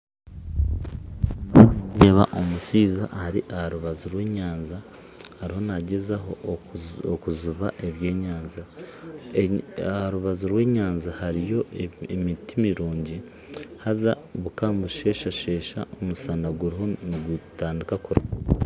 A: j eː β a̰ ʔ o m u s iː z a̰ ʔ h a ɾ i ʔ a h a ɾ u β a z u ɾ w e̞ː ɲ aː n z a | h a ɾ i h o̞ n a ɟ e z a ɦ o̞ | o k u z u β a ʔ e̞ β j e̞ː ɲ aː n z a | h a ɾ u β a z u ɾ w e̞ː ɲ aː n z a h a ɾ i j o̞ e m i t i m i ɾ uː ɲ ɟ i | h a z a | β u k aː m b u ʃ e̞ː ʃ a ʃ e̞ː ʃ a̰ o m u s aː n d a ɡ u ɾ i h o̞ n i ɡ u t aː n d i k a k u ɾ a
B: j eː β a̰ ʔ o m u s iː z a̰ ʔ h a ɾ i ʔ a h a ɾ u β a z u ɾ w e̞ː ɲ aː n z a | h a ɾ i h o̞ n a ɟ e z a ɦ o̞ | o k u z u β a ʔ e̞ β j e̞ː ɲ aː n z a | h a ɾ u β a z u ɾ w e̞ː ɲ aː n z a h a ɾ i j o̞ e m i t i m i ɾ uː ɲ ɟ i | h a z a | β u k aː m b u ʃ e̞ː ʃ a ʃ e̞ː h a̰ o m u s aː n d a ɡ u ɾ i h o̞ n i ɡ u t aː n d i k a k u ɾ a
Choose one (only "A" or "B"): A